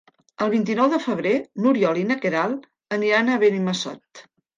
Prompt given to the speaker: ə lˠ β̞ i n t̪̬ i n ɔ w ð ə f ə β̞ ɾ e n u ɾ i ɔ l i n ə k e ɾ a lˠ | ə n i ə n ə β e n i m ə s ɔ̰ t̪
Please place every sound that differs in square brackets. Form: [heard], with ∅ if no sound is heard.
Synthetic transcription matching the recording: ə lˠ β̞ i n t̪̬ i n ɔ w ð ə f ə β̞ ɾ e n u ɾ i ɔ l i n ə k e ɾ a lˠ | ə n i [a] n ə β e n i m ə s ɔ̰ t̪